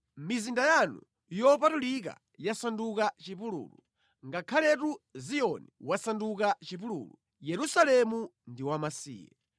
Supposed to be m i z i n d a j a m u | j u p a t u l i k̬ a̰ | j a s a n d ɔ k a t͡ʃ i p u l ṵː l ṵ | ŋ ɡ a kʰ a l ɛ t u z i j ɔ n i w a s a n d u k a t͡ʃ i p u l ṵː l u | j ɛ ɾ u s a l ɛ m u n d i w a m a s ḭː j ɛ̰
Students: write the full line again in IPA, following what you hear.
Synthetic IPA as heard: m i z i n d a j a n u | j ɔ p a t u l i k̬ a̰ | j a s a n d u k a t͡ʃ i p u l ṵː l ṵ | ŋ ɡ a kʰ a l ɛ t u z i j ɔ n i w a s a n d u k a t͡ʃ i p u l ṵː l u | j ɛ ɾ u s a l ɛ m u n d i w a m a s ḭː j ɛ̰

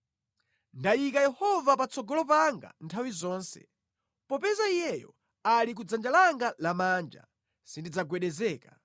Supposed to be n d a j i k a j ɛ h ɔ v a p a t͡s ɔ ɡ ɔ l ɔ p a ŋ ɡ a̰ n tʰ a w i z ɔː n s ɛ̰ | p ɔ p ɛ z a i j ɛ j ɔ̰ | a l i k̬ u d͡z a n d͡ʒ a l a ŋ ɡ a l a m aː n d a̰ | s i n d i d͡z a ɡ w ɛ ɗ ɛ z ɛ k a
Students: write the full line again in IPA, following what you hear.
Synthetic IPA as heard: n d a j i k a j ɛ h ɔ v a p a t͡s ɔ ɡ ɔ l ɔ p a ŋ ɡ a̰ n tʰ a w i z ɔː n s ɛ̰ | p ɔ p ɛ z a i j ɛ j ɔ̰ | a l i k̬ u d͡z a n d͡ʒ a l a ŋ ɡ a l a m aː n d͡ʒ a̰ | s i n d i d͡z a ɡ w ɛ ɗ ɛ z ɛː k a

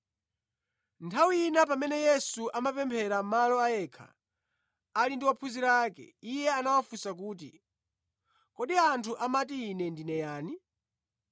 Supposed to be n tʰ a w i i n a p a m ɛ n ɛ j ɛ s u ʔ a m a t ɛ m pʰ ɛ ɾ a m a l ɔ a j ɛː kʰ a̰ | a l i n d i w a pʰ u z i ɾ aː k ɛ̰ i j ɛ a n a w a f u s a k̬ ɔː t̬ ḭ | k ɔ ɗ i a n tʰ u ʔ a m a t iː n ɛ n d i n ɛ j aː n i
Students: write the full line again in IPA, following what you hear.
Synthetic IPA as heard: n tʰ a w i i n a p a m ɛ n ɛ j ɛ s u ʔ a m a p ɛ m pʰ ɛ ɾ a m a l ɔ a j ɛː kʰ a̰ | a l i n d i w a pʰ u z i ɾ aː k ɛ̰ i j ɛ a n a w a f u s a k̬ uː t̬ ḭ | k ɔ ɗ i a n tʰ u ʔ a m a t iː n ɛ n d i n ɛ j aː n i

